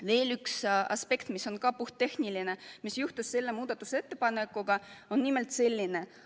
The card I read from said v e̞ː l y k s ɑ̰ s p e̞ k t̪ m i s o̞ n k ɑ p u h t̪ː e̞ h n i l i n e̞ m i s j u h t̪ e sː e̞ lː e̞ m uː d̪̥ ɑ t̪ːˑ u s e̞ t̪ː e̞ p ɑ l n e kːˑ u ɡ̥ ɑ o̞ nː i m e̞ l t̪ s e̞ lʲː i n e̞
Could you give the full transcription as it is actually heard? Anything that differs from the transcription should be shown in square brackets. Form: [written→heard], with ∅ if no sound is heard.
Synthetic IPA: v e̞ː l y k s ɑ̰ s p e̞ k t̪ m i s o̞ n k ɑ p u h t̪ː e̞ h n i l i n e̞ m i s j u h t̪ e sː e̞ lː e̞ m uː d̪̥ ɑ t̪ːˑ u s e̞ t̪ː e̞ p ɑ [l→∅] n e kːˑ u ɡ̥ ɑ o̞ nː i m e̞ l t̪ s e̞ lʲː i n e̞